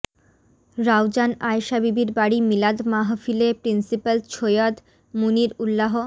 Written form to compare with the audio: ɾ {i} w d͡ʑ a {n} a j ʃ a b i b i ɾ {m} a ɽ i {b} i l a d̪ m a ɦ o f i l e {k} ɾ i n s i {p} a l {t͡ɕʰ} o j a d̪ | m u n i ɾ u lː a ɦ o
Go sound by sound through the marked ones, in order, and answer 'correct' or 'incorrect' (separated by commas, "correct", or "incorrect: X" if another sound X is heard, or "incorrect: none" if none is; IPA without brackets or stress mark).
incorrect: a, correct, incorrect: b, incorrect: m, incorrect: p, correct, correct